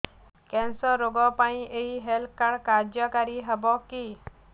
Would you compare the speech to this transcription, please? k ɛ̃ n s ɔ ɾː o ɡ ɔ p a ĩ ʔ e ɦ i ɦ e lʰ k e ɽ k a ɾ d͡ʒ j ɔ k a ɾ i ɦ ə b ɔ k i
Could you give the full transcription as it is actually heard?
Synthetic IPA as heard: k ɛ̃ n s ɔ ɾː o ɡ ɔ p a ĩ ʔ e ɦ i ɦ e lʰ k a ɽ k a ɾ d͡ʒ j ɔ k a ɾ i ɦ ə b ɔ k i